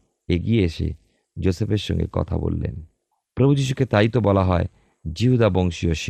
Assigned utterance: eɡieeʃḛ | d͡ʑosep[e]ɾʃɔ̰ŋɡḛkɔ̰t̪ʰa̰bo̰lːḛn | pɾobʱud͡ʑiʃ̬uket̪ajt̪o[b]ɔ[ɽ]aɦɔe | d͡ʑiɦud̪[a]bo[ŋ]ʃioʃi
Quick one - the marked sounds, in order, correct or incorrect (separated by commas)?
correct, correct, incorrect, correct, correct